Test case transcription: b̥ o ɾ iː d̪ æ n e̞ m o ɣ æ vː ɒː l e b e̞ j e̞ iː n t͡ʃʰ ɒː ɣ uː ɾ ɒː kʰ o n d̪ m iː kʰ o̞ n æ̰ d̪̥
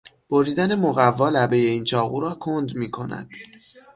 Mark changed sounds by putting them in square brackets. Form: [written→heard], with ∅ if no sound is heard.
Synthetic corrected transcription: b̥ o ɾ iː d̪ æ n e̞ m o ɣ æ vː ɒː l [e→æ] b e̞ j e̞ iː n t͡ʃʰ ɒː ɣ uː ɾ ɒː kʰ o n d̪ m iː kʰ o̞ n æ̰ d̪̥